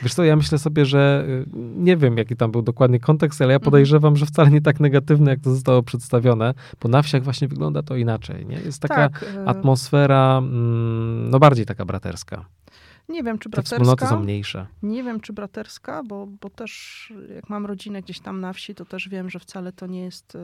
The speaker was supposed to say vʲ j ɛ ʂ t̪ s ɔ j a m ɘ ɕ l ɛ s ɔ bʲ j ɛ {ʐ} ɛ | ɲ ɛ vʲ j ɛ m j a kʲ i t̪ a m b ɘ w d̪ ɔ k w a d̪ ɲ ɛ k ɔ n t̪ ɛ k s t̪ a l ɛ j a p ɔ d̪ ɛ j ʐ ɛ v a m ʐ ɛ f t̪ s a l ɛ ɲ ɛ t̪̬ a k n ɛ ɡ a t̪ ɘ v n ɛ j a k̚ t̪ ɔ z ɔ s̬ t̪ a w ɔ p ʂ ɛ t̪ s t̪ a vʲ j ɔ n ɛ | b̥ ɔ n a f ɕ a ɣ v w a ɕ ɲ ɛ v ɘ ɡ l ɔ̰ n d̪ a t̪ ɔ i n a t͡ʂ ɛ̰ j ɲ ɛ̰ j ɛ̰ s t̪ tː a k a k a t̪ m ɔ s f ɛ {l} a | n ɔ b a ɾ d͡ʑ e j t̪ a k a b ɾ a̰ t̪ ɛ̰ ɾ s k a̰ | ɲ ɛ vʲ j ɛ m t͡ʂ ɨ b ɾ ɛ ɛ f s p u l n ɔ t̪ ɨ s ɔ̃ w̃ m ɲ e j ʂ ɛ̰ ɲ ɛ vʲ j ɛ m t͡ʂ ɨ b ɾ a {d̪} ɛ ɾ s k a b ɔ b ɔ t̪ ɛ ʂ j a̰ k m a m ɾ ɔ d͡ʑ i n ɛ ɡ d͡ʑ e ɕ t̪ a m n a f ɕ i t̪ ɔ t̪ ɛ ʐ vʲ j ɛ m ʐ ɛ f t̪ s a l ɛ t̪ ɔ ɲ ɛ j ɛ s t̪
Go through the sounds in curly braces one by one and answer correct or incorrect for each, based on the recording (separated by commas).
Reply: correct, incorrect, incorrect